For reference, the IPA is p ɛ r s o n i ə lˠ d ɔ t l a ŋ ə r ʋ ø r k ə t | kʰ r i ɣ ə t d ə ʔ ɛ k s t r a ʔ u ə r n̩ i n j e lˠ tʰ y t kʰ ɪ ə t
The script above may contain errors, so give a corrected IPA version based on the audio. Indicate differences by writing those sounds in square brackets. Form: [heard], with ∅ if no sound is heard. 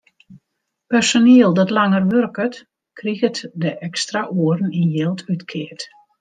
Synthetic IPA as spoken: p ɛ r s o n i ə lˠ d ɔ t l a ŋ ə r ʋ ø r k ə t | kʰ r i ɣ ə t d ə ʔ ɛ k s t r a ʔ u ə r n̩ i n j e lˠ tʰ y t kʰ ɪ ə t